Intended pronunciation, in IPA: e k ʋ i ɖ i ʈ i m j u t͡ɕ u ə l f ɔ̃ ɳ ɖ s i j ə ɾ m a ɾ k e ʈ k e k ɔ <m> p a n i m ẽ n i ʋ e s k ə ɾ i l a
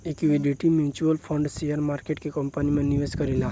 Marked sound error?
no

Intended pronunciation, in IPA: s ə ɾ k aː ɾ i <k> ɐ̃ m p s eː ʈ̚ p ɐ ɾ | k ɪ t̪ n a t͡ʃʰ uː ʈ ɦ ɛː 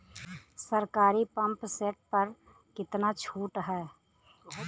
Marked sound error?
yes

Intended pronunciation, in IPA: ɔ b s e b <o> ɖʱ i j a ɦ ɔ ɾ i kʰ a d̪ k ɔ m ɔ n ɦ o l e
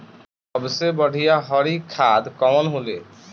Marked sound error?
yes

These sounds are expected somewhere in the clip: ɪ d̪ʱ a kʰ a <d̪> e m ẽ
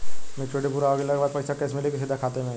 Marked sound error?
yes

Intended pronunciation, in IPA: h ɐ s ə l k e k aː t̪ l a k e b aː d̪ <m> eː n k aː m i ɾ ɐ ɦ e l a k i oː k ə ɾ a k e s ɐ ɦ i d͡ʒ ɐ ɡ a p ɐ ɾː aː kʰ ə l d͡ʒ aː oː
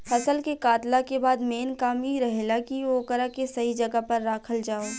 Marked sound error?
no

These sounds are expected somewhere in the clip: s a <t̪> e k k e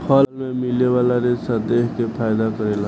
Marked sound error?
yes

